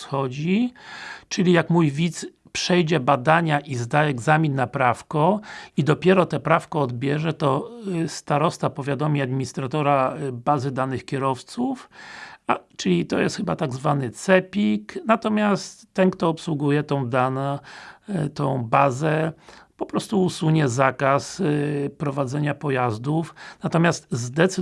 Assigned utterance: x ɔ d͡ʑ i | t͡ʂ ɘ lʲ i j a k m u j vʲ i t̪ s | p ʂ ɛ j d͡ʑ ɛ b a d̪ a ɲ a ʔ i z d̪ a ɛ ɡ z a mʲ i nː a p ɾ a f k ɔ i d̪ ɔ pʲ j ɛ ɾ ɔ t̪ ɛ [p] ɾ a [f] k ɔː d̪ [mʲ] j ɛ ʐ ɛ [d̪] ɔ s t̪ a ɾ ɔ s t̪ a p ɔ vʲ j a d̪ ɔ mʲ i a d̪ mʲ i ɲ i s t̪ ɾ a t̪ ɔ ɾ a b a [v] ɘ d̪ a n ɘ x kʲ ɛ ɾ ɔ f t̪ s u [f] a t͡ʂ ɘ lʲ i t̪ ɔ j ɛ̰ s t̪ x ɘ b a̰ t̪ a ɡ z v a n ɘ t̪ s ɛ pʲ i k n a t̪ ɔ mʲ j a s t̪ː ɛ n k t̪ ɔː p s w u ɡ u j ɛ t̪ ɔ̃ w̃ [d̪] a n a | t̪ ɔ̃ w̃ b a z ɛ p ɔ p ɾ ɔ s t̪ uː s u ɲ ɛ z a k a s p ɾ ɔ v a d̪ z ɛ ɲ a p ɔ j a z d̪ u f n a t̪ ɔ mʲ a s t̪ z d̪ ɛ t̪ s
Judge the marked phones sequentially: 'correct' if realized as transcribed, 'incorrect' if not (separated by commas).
correct, correct, incorrect, incorrect, incorrect, correct, correct